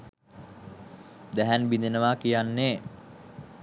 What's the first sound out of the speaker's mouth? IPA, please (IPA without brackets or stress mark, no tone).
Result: d̪